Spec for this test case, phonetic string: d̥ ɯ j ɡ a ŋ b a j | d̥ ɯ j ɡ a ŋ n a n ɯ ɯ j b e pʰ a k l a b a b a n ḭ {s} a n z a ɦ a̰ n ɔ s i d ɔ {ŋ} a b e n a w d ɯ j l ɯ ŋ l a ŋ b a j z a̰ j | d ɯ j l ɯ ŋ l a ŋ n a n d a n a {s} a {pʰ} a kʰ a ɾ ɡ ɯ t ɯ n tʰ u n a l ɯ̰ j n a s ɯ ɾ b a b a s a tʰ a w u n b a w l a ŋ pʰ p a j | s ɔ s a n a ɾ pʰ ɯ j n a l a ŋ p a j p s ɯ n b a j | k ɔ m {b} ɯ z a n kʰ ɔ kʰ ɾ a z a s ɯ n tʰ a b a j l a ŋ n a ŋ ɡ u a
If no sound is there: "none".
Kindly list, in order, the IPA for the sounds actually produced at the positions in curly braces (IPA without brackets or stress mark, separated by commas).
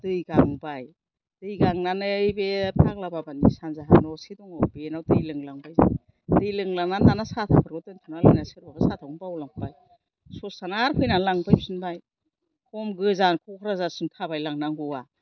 s, ŋ, s, tʰ, ɡ